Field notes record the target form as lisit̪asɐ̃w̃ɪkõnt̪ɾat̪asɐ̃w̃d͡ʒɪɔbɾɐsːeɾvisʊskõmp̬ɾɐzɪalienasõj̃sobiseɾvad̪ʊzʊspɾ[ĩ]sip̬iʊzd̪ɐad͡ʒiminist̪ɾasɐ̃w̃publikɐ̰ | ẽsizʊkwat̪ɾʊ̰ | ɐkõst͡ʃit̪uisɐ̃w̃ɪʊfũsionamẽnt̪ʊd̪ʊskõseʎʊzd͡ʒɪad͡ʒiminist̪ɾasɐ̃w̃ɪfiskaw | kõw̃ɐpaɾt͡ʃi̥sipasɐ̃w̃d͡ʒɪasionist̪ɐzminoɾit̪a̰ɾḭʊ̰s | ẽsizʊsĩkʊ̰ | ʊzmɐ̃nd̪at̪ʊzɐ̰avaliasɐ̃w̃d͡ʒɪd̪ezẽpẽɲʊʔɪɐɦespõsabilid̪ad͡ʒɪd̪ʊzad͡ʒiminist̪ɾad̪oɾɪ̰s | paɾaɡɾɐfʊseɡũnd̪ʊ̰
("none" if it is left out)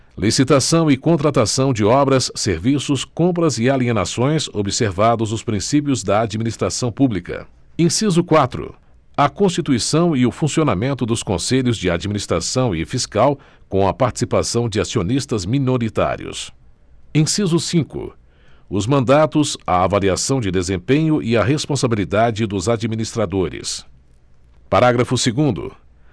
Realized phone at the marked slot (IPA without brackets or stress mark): ĩ